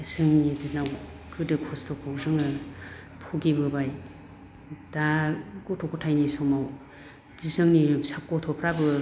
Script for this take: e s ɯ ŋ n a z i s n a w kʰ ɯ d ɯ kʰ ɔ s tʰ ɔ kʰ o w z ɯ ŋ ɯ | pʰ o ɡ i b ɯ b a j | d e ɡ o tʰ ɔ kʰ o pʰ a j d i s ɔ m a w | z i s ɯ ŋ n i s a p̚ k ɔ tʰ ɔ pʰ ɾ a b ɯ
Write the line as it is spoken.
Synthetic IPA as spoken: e s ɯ ŋ n i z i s n a w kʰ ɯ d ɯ kʰ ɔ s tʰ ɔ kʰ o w z ɯ ŋ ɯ | pʰ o ɡ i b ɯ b a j | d a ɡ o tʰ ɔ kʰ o tʰ a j n i s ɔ m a w | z i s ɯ ŋ n i s a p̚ k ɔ tʰ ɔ pʰ ɾ a b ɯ